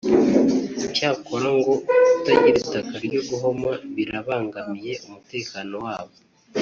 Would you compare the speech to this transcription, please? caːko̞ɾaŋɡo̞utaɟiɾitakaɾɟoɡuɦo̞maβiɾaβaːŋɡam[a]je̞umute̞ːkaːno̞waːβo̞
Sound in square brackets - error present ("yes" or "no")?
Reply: yes